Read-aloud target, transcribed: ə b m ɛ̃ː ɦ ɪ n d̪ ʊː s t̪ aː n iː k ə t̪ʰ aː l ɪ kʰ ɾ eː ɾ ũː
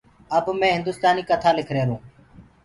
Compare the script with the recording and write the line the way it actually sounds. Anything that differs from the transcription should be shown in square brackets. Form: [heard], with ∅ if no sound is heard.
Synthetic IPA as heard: ə b m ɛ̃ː ɦ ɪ n d̪ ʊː s t̪ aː n iː k ə t̪ʰ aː l ɪ kʰ ɾ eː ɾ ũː

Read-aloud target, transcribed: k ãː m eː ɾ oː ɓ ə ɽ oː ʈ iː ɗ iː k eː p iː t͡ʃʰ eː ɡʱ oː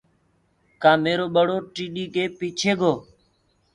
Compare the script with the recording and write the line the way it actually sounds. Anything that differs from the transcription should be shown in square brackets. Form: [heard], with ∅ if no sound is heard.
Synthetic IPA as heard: k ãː m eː ɾ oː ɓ ə ɽ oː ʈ iː ɗ iː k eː p iː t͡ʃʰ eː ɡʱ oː

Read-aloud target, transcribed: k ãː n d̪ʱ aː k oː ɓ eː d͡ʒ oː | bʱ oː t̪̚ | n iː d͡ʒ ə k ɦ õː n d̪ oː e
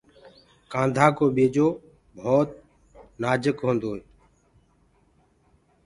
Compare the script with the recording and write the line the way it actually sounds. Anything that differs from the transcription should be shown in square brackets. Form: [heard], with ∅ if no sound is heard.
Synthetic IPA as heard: k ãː n d̪ʱ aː k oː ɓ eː d͡ʒ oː | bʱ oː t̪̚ | n [aː] d͡ʒ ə k ɦ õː n d̪ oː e

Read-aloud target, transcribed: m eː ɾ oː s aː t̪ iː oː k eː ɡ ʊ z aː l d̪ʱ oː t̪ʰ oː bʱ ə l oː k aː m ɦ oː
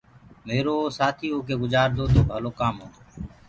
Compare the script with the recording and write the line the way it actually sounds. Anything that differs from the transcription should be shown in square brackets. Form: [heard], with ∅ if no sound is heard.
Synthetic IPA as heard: m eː ɾ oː s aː [t̪ʰ] iː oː k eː ɡ ʊ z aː [ɾ] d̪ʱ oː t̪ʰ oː bʱ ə l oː k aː m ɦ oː

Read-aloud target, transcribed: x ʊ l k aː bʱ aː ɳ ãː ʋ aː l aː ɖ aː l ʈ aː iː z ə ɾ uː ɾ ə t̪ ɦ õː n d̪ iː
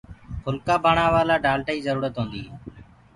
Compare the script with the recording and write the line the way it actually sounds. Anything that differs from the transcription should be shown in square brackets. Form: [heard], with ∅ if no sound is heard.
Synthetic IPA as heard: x ʊ l k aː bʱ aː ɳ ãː ʋ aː l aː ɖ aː l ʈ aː iː z ə ɾ uː ɾ ə t̪ ɦ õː n d̪ iː

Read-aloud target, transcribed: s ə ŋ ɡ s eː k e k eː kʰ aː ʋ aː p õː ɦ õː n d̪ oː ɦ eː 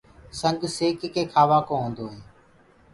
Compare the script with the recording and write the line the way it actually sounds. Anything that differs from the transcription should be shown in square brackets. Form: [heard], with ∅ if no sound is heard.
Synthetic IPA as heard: s ə ŋ ɡ s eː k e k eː kʰ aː ʋ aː [k] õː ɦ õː n d̪ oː ɦ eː

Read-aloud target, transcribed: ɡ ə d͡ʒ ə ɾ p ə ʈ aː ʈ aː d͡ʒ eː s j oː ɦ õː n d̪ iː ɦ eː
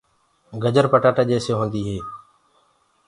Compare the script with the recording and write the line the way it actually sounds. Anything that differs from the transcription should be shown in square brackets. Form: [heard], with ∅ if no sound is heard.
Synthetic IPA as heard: ɡ ə d͡ʒ ə ɾ p ə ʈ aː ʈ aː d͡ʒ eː s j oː ɦ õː n d̪ iː ɦ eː

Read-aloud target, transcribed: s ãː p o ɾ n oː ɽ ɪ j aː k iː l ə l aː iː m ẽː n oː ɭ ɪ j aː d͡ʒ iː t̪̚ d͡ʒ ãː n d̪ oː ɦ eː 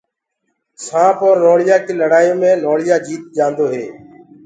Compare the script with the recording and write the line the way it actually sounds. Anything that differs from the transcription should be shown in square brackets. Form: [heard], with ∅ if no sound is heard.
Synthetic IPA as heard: s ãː p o ɾ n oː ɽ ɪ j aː k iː l ə [ɽ] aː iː m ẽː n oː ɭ ɪ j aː d͡ʒ iː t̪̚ d͡ʒ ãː n d̪ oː ɦ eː

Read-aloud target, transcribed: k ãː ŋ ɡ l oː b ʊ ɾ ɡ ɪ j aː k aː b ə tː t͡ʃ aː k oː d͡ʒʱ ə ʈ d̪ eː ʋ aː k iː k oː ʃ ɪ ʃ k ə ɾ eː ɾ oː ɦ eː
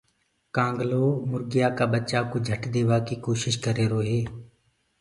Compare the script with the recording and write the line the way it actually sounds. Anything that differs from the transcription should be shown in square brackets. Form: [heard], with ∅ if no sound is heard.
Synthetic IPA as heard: k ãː ŋ ɡ l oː [m] ʊ ɾ ɡ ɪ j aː k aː b ə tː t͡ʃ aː k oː d͡ʒʱ ə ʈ d̪ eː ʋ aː k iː k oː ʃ ɪ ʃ k ə ɾ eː ɾ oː ɦ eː

